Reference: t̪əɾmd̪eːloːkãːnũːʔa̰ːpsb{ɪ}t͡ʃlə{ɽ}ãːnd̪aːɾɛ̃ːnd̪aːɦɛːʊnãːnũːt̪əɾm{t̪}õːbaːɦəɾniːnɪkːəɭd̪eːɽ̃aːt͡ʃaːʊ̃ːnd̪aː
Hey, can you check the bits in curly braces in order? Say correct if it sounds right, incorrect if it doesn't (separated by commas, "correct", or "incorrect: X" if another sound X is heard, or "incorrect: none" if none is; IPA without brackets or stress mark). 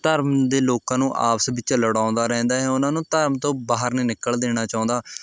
correct, correct, correct